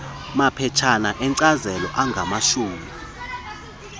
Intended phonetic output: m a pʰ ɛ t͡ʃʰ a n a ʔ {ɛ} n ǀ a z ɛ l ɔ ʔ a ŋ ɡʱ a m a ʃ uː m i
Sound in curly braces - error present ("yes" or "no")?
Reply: no